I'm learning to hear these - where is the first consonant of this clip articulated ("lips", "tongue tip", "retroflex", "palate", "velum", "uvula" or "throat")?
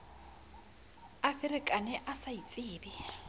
lips